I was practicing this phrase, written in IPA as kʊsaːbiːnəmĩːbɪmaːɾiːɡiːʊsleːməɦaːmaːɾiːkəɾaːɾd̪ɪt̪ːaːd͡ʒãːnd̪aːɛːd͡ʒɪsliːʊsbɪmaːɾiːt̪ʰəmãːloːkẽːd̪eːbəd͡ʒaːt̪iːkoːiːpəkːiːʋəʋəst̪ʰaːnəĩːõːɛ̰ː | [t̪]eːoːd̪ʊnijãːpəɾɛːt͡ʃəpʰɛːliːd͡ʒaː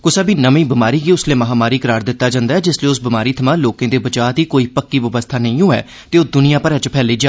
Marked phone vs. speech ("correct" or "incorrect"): correct